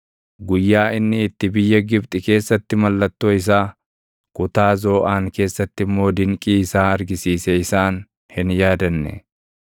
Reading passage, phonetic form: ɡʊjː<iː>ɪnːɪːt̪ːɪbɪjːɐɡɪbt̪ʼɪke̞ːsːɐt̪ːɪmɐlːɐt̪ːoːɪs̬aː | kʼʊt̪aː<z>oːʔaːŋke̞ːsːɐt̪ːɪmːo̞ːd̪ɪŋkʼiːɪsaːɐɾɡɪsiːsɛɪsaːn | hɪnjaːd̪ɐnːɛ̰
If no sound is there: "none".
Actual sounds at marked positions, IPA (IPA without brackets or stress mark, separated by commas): aː, z